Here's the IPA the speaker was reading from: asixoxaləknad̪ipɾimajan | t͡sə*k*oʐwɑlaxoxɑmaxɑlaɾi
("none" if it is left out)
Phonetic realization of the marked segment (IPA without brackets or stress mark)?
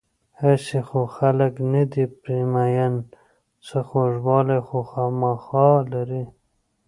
x